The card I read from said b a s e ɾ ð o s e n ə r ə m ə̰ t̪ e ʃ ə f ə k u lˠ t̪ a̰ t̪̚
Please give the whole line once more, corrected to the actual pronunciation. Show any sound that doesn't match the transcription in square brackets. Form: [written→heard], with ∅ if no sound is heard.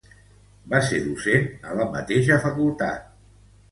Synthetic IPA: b a s e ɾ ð [o→u] s e n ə [r→l] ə m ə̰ t̪ e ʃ ə f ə k u lˠ t̪ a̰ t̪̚